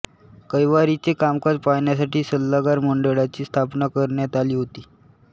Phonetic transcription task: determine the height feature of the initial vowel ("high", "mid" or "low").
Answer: mid